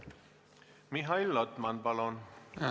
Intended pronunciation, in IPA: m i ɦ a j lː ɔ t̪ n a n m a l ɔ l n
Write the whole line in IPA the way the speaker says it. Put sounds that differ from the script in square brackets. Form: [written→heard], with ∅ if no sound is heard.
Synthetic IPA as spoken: m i ɦ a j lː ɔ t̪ [n→m] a n [m→b] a l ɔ [l→∅] n